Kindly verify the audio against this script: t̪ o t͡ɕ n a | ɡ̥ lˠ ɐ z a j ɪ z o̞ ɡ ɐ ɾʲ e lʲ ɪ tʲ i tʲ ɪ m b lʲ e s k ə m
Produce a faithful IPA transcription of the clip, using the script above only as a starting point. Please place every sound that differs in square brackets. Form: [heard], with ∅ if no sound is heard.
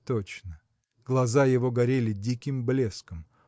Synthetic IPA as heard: t̪ o t͡ɕ n [ə] | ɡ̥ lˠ ɐ z a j ɪ [v] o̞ ɡ ɐ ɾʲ e lʲ ɪ [dʲ] i [kʲ] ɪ m b lʲ e s k ə m